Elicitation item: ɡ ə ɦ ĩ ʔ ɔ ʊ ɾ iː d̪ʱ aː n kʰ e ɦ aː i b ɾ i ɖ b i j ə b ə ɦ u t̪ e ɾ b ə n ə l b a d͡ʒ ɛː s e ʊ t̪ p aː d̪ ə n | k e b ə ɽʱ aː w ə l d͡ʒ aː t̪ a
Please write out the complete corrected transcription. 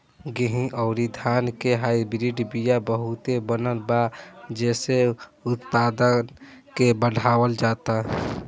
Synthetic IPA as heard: ɡ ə ɦ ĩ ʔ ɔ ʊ ɾ i d̪ʱ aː n k e ɦ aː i b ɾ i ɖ b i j a b ə ɦ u t̪ e b ə n ə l b a d͡ʒ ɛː s e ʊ t̪ p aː d̪ ə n | k e b ə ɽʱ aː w ə l d͡ʒ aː t̪ a